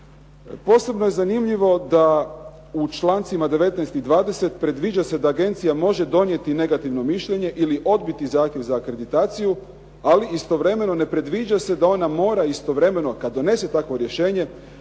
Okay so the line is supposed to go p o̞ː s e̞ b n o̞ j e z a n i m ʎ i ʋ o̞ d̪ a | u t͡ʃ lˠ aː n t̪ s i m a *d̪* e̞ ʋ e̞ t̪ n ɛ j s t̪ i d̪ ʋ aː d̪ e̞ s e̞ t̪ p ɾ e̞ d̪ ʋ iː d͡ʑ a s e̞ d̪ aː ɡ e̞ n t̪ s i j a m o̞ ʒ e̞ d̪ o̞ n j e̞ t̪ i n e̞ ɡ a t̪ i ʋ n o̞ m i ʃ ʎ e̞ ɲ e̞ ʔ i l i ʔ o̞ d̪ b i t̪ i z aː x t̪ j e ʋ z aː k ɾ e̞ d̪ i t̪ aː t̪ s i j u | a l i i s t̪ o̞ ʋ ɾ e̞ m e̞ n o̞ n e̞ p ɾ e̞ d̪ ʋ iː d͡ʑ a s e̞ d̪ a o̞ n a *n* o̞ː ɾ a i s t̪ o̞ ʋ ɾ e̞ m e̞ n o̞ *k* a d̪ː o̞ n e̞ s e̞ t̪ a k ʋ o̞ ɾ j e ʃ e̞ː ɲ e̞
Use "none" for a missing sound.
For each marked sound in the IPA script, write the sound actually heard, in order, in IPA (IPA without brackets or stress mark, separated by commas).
d̪, m, k